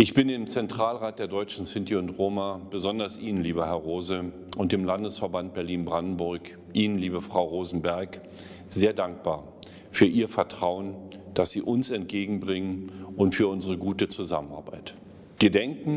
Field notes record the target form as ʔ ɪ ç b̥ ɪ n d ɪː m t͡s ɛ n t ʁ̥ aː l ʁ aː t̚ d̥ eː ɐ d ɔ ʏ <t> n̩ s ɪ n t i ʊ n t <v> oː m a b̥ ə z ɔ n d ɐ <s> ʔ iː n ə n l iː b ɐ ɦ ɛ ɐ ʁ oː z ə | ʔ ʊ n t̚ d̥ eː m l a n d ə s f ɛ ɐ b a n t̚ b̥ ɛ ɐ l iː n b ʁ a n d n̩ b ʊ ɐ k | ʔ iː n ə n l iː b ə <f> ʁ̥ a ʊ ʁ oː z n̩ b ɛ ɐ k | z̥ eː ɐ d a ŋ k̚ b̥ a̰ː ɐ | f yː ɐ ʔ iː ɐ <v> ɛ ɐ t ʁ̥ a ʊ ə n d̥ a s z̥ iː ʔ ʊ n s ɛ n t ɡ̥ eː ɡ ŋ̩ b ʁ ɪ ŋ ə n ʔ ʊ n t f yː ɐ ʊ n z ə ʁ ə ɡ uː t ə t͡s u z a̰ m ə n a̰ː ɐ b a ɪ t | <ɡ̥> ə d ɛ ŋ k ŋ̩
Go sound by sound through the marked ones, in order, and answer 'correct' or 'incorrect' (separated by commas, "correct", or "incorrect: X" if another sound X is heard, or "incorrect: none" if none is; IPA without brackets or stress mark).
incorrect: t͡ʃ, incorrect: ʁ, correct, correct, incorrect: f, correct